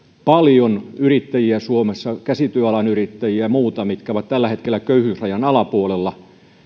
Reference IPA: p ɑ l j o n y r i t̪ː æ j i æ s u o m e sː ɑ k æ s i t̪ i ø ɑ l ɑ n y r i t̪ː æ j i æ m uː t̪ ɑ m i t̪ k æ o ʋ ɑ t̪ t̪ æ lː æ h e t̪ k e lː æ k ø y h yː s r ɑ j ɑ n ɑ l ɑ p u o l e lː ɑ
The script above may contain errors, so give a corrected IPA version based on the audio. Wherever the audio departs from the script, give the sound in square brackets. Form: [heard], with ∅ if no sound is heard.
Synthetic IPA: p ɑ l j o n y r i t̪ː æ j i æ s u o m e sː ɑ k æ s i t̪ [y] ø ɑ l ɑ n y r i t̪ː æ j i æ m uː t̪ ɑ m i t̪ k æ o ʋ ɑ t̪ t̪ æ lː æ h e t̪ k e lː æ k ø y h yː s r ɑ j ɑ n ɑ l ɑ p u o l e lː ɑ

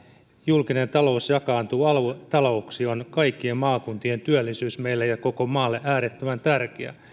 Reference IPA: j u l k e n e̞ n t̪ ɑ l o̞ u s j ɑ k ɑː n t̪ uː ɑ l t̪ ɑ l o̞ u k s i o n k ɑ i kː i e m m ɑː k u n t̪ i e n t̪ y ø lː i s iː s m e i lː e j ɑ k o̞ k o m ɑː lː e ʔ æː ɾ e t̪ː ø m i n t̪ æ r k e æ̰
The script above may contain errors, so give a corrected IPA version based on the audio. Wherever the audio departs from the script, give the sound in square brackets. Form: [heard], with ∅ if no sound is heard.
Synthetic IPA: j u l k [i] n e̞ n t̪ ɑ l o̞ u s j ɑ k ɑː n t̪ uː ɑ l t̪ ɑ l o̞ u k s i o n k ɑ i kː i e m m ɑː k u n t̪ i e n t̪ y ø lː i s [yː] s m e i lː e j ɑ k o̞ k o m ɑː lː e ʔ æː ɾ e t̪ː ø m [æ] n t̪ æ r k e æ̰

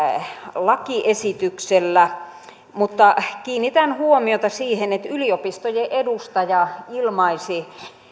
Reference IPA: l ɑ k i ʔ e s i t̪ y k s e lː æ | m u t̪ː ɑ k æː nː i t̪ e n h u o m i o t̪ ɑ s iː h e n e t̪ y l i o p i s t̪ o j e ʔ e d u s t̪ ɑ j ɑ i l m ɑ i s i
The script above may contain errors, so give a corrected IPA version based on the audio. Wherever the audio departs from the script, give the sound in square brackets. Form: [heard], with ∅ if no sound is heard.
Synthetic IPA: l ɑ k i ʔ e s i t̪ y k s e lː æ | m u t̪ː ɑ k [iː] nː i t̪ [æ] n h u o m i o t̪ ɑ s iː h e n e t̪ y l i o p i s t̪ o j e ʔ e d u s t̪ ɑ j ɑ i l m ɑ i s i

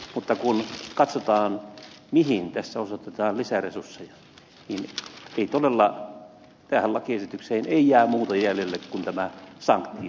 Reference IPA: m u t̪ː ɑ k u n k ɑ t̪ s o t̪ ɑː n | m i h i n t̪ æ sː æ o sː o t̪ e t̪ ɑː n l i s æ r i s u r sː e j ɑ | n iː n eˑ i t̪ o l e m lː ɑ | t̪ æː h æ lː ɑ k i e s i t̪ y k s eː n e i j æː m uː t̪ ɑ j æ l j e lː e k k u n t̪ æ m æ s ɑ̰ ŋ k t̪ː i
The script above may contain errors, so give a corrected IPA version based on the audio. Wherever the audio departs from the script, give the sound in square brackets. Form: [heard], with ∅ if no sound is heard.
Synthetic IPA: m u t̪ː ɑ k u n k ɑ t̪ s o t̪ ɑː n | m i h i n t̪ æ sː æ o [s] o t̪ e t̪ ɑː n l i s æ r [e] s u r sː e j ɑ | n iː n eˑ i t̪ o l e [∅] lː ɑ | t̪ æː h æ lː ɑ k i e s i t̪ y k s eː n e i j æː m uː t̪ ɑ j æ l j e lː e k k u n t̪ æ m æ s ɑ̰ ŋ k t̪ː i

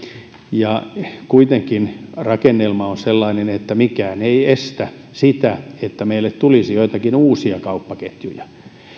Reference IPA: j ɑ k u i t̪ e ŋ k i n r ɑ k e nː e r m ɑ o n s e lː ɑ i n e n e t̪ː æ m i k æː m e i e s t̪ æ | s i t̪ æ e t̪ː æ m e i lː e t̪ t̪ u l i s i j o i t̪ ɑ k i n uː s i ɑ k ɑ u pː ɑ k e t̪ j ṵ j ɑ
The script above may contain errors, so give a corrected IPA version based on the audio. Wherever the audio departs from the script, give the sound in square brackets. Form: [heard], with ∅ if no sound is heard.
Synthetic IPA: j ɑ k u i t̪ e ŋ k i n r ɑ k e nː e [l] m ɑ o n s e lː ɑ i n e n e t̪ː æ m i k æː [n] e i e s t̪ æ | s i t̪ æ e t̪ː æ m e i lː e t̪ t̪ u l i s i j o i t̪ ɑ k i n uː s i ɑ k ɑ u pː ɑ k e t̪ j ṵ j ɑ

